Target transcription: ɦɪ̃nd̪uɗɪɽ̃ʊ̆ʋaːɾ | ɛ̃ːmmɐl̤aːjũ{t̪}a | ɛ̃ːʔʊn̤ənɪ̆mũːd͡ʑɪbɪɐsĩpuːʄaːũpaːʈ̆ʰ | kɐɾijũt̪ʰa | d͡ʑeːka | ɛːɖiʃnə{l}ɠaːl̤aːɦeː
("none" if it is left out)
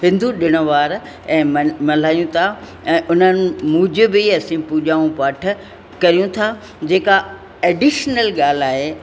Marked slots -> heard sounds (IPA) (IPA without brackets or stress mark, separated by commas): t̪ʰ, l